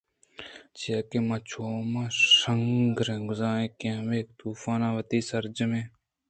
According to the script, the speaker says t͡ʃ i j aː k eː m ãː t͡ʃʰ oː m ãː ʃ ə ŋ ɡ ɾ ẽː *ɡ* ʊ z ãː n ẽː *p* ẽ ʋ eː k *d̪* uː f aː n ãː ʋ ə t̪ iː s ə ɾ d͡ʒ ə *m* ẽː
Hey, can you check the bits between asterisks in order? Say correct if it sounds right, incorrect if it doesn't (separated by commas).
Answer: correct, incorrect, incorrect, correct